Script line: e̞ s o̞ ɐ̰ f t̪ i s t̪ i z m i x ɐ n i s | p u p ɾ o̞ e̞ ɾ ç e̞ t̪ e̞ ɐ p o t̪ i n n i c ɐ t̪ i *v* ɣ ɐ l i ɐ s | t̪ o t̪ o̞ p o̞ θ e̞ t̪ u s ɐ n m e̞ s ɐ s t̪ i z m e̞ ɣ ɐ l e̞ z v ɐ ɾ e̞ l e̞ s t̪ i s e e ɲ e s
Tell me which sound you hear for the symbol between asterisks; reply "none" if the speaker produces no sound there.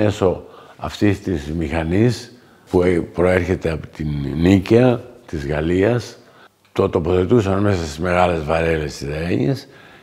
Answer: z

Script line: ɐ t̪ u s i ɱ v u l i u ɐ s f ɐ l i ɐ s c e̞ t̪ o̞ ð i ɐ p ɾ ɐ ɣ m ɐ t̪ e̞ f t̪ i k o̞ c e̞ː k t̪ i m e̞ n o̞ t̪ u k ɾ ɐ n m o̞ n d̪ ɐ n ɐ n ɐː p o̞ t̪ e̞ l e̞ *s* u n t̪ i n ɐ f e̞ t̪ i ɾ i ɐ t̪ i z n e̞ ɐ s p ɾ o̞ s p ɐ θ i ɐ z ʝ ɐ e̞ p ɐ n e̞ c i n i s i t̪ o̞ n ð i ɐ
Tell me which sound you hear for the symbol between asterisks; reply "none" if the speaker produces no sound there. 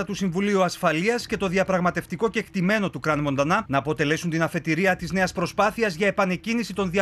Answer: s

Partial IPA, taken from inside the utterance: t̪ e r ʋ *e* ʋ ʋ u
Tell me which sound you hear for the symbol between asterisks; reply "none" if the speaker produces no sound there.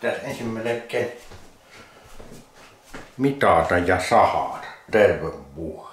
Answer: e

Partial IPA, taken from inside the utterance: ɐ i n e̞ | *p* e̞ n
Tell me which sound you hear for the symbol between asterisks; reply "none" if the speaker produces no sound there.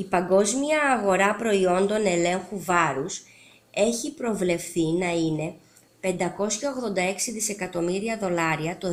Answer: p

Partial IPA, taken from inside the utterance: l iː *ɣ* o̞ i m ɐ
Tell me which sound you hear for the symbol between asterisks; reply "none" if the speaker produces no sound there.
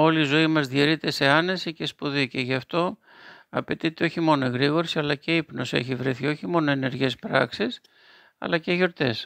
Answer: z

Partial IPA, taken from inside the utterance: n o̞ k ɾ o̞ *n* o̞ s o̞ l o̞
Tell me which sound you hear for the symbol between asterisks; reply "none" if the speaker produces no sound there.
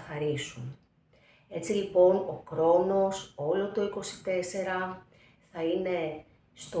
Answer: n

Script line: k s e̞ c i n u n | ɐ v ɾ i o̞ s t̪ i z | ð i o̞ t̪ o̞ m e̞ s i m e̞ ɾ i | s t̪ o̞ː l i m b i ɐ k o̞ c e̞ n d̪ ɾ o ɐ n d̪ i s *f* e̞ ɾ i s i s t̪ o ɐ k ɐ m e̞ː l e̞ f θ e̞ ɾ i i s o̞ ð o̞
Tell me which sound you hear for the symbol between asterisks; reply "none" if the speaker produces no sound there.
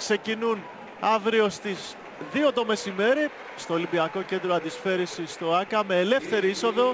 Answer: f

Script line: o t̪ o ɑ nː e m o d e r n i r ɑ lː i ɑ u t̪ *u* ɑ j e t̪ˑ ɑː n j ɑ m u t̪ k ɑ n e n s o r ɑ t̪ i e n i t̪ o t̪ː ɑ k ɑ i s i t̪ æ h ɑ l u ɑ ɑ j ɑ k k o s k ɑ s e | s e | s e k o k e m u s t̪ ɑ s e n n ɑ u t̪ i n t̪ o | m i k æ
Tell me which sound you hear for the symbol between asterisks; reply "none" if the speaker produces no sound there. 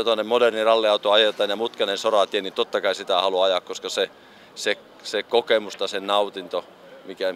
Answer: o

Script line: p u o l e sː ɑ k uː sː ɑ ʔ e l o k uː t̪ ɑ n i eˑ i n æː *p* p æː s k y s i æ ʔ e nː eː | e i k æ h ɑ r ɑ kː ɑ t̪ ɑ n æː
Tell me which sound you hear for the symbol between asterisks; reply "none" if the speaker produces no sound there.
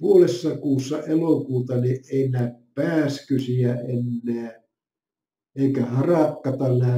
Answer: p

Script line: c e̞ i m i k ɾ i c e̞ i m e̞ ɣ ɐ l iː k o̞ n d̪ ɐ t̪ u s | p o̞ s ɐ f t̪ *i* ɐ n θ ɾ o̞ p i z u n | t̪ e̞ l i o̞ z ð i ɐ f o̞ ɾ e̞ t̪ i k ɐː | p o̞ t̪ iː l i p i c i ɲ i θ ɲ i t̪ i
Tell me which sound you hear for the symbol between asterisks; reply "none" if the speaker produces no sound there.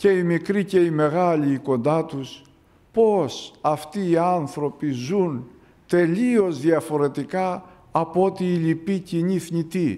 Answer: iː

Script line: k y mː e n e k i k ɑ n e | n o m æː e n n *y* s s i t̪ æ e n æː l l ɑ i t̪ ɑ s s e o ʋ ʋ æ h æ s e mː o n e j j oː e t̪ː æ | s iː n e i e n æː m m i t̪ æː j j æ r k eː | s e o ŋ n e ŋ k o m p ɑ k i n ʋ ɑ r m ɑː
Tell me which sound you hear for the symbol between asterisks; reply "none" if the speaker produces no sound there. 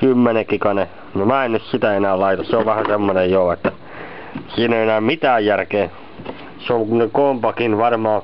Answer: y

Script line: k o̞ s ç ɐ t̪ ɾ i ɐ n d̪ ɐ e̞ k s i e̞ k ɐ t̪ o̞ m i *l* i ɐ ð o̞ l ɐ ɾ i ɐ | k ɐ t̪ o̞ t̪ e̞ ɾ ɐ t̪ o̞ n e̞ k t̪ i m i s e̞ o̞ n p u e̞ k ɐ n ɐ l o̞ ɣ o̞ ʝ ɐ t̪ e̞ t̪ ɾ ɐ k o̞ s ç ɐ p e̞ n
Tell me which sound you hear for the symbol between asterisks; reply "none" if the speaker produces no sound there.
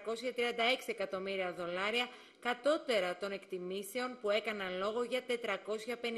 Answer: ɾ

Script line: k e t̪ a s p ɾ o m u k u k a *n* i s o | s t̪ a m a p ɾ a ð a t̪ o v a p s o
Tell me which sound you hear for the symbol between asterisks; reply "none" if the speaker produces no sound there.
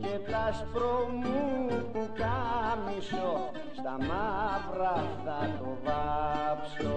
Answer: m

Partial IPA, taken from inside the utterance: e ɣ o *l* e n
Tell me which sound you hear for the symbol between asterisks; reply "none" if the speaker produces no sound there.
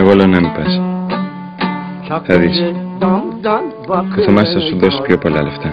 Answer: l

